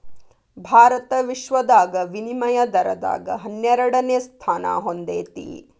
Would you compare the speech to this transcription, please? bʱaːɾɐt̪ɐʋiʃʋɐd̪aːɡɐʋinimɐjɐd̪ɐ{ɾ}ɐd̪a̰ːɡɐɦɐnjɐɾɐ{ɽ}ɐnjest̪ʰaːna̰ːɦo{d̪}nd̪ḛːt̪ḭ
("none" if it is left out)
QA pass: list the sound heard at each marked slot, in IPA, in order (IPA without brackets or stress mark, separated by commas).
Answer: ɾ, ɽ, none